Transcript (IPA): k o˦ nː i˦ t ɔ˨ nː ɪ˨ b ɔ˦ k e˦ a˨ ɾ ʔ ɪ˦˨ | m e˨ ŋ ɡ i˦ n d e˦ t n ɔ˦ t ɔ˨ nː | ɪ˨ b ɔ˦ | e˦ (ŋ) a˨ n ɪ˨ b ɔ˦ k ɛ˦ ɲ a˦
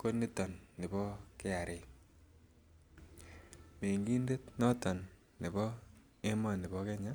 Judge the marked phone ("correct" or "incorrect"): incorrect